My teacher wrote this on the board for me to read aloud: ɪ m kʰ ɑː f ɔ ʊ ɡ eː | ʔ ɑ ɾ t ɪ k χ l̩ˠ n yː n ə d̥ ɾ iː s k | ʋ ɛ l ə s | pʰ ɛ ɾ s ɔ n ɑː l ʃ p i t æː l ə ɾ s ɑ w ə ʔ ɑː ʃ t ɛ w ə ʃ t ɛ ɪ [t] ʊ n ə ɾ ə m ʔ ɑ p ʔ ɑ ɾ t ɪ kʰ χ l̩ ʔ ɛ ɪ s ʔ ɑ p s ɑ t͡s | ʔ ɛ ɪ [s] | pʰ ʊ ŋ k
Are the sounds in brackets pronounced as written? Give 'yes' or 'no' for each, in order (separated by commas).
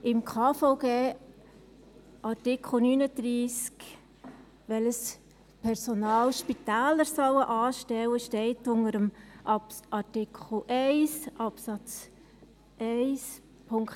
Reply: yes, yes